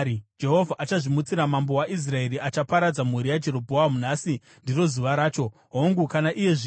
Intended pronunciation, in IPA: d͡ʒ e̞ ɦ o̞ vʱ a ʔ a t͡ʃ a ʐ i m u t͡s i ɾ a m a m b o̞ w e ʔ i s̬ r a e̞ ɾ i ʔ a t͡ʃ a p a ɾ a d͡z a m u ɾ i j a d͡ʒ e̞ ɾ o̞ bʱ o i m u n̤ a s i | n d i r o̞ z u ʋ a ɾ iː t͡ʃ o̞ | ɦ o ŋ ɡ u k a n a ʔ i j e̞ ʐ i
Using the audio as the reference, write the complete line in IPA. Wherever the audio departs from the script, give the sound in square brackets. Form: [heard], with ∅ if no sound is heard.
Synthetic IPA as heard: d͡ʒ e̞ ɦ o̞ vʱ a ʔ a t͡ʃ a ʐ i m u t͡s i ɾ a m a m b o̞ w [a] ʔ i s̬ r a e̞ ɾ i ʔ a t͡ʃ a p a ɾ a d͡z a m u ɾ i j a d͡ʒ e̞ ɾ o̞ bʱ o [a] m u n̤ a s i | n d i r o̞ z u ʋ a ɾ [aː] t͡ʃ o̞ | ɦ o ŋ ɡ u k a n a ʔ i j e̞ ʐ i